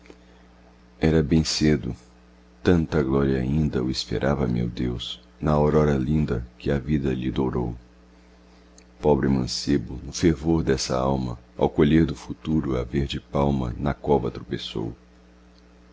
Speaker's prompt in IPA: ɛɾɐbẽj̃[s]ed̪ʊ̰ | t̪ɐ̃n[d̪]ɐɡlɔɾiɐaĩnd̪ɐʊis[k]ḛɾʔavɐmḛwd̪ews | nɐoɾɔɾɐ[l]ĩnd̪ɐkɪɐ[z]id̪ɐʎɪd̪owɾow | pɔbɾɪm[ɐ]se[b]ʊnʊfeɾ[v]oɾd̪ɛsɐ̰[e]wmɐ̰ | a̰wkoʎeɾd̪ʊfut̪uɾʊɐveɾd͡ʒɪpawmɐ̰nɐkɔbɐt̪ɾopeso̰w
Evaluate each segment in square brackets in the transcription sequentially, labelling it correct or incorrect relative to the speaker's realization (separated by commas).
correct, incorrect, incorrect, correct, incorrect, incorrect, correct, correct, incorrect